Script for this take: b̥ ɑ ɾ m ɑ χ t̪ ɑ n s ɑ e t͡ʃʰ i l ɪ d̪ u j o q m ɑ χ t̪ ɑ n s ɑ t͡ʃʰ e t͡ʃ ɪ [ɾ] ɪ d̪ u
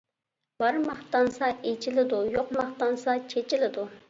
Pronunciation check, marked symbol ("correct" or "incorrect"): incorrect